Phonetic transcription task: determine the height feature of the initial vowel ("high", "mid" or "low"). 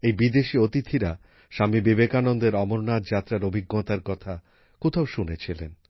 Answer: mid